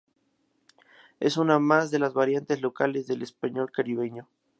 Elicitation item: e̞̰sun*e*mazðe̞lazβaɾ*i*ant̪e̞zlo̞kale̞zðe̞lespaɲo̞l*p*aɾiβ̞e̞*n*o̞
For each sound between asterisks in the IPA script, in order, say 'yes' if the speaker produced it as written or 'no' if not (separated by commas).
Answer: no, no, no, no